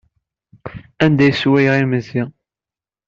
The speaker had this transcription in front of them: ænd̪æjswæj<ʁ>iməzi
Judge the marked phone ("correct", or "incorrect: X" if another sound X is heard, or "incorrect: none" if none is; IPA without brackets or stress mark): correct